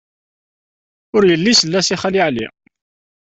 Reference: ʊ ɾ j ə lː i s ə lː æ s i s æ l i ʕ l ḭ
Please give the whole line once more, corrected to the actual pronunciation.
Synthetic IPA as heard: ʊ ɾ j ə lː i s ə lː æ s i χ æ l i ʕ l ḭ